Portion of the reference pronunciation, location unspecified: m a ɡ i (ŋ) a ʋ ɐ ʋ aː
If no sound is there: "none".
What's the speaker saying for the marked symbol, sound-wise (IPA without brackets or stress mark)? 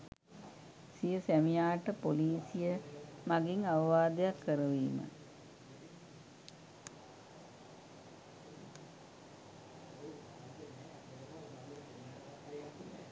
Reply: ŋ